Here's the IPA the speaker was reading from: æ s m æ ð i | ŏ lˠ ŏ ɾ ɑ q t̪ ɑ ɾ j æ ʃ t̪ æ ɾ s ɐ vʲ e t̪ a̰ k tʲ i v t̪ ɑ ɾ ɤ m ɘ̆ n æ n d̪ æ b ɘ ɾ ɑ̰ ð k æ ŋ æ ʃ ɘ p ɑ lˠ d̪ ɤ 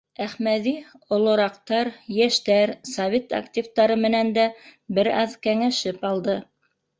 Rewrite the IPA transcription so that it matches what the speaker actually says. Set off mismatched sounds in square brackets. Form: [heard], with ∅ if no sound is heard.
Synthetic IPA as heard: æ [χ] m æ ð i | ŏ lˠ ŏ ɾ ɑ q t̪ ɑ ɾ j æ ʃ t̪ æ ɾ s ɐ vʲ e t̪ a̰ k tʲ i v t̪ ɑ ɾ ɤ m ɘ̆ n æ n d̪ æ b ɘ ɾ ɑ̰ ð k æ ŋ æ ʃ ɘ p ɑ lˠ d̪ ɤ